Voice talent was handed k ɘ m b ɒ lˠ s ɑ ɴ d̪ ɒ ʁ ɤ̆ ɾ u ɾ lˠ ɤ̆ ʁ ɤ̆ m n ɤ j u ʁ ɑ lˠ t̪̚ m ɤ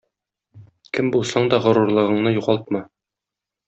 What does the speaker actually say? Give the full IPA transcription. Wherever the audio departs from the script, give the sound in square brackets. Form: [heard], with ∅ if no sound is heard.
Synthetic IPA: k ɘ m b [u] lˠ s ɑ ɴ d̪ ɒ ʁ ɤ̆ ɾ u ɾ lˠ ɤ̆ ʁ ɤ̆ [ɴ] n ɤ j u ʁ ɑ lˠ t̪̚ m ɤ